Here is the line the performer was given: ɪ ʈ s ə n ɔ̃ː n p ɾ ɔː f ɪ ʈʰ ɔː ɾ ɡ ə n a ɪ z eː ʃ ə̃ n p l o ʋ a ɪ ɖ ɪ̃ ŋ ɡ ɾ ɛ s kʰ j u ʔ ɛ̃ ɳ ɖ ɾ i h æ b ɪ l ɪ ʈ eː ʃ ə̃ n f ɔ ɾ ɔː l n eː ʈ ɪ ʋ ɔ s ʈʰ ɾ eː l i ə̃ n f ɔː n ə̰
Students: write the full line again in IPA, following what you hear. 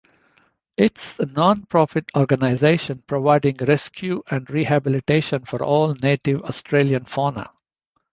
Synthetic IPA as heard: ɪ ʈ s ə n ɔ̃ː n p ɾ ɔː f ɪ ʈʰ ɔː ɾ ɡ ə n a ɪ z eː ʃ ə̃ n p ɾ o ʋ a ɪ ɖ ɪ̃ ŋ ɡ ɾ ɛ s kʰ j u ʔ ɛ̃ ɳ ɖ ɾ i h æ b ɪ l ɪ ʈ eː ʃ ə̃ n f ɔ ɾ ɔː l n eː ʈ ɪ ʋ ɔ s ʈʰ ɾ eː l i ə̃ n f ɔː n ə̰